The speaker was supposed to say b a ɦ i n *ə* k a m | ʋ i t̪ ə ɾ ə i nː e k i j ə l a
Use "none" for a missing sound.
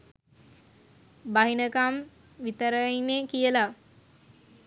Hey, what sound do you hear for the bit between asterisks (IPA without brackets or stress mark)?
ə